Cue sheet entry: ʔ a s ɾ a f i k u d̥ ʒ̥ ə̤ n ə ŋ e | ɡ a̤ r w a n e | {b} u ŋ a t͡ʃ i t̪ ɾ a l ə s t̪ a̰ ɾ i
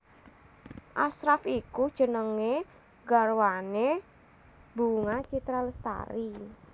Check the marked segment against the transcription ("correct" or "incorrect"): correct